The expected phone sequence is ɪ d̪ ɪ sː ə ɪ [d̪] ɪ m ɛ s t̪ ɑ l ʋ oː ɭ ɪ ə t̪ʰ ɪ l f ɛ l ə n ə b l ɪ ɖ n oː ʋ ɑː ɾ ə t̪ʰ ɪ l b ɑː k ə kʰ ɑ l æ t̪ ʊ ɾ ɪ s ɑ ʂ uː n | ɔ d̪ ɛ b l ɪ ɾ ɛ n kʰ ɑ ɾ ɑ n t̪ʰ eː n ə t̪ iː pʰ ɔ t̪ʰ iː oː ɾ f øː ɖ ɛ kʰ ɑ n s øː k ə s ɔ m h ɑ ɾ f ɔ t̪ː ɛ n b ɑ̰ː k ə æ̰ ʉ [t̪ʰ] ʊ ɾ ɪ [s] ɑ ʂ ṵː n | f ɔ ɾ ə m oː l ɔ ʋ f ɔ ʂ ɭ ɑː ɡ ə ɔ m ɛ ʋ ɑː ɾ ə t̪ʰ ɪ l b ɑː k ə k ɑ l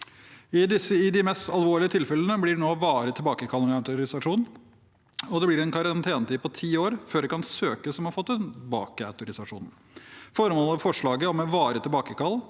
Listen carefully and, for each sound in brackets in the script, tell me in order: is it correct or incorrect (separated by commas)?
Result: correct, incorrect, correct